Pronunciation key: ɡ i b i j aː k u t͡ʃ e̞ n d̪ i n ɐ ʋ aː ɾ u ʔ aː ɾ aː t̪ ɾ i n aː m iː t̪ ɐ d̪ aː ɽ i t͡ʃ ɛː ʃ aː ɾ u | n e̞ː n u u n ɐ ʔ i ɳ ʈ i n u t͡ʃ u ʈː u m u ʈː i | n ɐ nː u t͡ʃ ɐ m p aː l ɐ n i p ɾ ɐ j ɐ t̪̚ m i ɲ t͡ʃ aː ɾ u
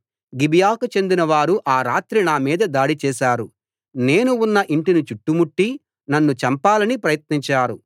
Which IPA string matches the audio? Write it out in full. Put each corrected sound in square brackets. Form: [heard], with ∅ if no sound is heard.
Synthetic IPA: ɡ i b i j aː k u t͡ʃ e̞ n d̪ i n ɐ ʋ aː ɾ u ʔ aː ɾ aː t̪ ɾ i n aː m iː [d̪] ɐ d̪ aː ɽ i t͡ʃ ɛː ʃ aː ɾ u | n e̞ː n u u [nː] ɐ ʔ i ɳ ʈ i n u t͡ʃ u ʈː u m u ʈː i | n ɐ nː u t͡ʃ ɐ m p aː l ɐ n i p ɾ ɐ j ɐ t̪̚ [n] i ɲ t͡ʃ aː ɾ u